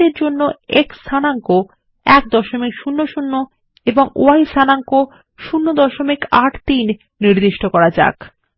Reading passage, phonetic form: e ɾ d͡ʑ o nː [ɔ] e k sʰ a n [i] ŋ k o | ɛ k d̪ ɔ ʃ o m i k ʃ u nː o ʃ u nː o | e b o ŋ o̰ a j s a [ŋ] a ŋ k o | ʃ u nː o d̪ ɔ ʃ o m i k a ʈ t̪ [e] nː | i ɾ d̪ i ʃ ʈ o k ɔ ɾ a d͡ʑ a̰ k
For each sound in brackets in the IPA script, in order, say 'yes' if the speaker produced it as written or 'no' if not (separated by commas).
no, no, no, no